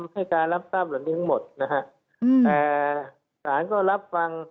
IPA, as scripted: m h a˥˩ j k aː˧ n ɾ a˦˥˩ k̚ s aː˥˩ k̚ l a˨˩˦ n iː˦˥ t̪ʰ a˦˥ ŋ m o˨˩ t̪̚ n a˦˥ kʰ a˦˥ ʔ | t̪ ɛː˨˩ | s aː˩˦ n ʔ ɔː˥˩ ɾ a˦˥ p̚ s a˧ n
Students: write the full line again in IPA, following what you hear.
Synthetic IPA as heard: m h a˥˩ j k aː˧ n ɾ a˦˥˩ p̚ s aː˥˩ p̚ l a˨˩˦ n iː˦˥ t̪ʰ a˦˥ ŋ m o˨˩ t̪̚ n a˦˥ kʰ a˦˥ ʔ | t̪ ɛː˨˩ | s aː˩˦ n k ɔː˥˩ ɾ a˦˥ p̚ f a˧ ŋ